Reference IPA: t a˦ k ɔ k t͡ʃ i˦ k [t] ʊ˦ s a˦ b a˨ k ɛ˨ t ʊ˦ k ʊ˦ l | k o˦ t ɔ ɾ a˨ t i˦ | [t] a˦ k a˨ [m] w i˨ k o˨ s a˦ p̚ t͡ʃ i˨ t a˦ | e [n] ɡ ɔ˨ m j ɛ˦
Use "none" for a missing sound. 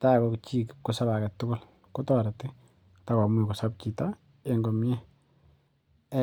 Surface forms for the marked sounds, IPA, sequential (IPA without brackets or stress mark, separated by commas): k, t, m, ŋ